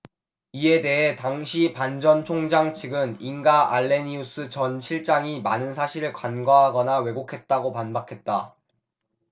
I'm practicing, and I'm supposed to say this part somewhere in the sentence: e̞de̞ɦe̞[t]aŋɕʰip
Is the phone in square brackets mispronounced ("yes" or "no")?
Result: no